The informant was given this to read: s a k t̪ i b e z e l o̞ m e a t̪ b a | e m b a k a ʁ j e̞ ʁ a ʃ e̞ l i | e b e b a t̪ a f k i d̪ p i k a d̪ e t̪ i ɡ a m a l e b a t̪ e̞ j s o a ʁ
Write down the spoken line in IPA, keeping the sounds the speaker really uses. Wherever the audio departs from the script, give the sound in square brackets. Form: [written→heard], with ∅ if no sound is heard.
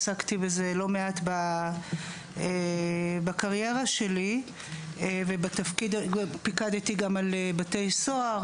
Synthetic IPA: s a k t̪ i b e z e l o̞ m e a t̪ b a | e [m→∅] b a k a ʁ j e̞ ʁ a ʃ e̞ l i | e [b→v] e b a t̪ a f k i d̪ p i k a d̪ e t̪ i ɡ a m a l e b a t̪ e̞ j s o a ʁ

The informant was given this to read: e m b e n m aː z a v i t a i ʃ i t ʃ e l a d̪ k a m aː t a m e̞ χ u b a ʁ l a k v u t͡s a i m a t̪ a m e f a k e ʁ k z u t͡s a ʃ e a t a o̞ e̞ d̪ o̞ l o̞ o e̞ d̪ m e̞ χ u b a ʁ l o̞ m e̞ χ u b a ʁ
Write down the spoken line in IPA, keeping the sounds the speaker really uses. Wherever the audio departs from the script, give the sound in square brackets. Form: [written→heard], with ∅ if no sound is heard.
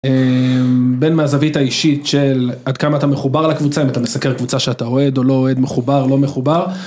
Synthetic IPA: e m b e n m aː z a v i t a i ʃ i t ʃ e l a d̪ k a m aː t a m e̞ χ u b a ʁ l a k v u t͡s a i m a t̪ a m e [f→s] a k e ʁ k [z→v] u t͡s a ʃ e a t a o̞ e̞ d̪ o̞ l o̞ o e̞ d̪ m e̞ χ u b a ʁ l o̞ m e̞ χ u b a ʁ

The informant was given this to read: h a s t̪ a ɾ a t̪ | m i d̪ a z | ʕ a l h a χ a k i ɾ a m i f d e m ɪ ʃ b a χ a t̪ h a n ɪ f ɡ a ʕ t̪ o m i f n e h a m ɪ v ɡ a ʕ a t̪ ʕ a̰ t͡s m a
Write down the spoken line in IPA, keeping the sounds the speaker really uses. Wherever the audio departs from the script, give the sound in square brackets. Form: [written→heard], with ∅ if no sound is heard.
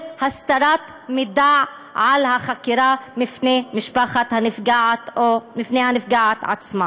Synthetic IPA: h a s t̪ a ɾ a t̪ | m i d̪ a [z→ʕ] | ʕ a l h a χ a k i ɾ a m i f [d→n] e m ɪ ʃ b a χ a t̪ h a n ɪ f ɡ a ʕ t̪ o m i f n e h a [m→n] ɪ [v→f] ɡ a ʕ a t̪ ʕ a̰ t͡s m a

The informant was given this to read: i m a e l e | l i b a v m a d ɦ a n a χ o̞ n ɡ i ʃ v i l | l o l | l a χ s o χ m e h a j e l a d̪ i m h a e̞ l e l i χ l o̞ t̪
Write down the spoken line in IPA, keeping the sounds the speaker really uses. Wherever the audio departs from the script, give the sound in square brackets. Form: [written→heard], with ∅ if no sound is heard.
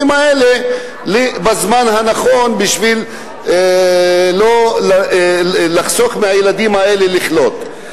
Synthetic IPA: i m a e l e | l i b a [v→z] m a [d→n] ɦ a n a χ o̞ n [ɡ→b] i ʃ v i l | l o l | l a χ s o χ m e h a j e l a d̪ i m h a e̞ l e l i χ l o̞ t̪

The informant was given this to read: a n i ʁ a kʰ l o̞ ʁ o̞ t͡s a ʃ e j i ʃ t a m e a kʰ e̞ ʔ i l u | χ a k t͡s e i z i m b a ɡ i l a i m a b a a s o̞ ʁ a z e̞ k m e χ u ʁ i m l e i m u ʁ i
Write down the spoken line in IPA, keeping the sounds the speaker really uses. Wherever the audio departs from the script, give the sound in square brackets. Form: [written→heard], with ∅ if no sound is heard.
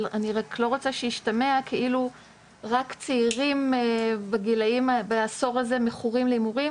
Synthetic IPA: a n i ʁ a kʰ l o̞ ʁ o̞ t͡s a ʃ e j i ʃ t a m e a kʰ e̞ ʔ i l u | [χ→ʁ] a k t͡s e i [z→ʁ] i m b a ɡ i l a i m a b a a s o̞ ʁ a z e̞ [k→∅] m e χ u ʁ i m l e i m u ʁ i

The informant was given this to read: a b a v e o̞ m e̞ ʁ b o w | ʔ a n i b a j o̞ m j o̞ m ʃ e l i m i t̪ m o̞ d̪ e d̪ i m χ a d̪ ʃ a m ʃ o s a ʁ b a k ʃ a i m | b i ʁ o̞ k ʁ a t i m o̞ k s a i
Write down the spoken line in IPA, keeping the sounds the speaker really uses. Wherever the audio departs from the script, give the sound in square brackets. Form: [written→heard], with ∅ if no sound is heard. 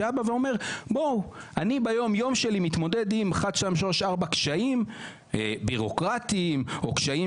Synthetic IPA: a b a v e o̞ m e̞ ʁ b o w | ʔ a n i b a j o̞ m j o̞ m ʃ e l i m i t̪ m o̞ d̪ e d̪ i m χ a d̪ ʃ a m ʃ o [s→ʃ] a ʁ b a k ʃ a i m | b i ʁ o̞ k ʁ a t i m o̞ k [s→ʃ] a i

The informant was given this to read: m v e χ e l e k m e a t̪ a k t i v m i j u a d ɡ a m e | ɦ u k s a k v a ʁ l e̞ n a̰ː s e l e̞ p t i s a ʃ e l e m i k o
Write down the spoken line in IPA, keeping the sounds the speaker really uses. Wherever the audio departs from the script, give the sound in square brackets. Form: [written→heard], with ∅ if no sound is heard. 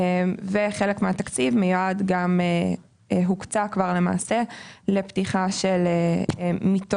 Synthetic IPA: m v e χ e l e k m e a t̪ a k [t→t͡s] i v m [i→e] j u a d ɡ a m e | ɦ u k [s→t͡s] a k v a ʁ l e̞ [n→m] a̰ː s e l e̞ p t i [s→χ] a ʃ e l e m i [k→t] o

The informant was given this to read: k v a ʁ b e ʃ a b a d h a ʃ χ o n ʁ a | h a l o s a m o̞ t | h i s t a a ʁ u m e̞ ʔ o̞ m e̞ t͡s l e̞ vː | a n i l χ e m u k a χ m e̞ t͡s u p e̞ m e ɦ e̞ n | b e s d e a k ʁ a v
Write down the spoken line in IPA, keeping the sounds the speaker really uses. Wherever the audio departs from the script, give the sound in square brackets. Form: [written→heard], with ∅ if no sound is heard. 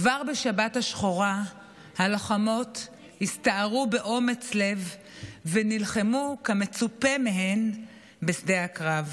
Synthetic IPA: k v a ʁ b e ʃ a b a [d→t] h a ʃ χ o [n→∅] ʁ a | h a l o [s→χ] a m o̞ t | h i s t a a ʁ u [m→b] e̞ ʔ o̞ m e̞ t͡s l e̞ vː | [a→e] n i l χ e m u k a [χ→∅] m e̞ t͡s u p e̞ m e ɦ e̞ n | b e s d e a k ʁ a v

